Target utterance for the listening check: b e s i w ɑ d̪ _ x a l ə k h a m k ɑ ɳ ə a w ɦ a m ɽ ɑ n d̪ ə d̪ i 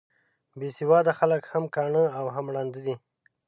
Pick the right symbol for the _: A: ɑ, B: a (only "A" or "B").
B